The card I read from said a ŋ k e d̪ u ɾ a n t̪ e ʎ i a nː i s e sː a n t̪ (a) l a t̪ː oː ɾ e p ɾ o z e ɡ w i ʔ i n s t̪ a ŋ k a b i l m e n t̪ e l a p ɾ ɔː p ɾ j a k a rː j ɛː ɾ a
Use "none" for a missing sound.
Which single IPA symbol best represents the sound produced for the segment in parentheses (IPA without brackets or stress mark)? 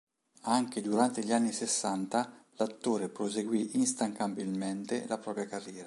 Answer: a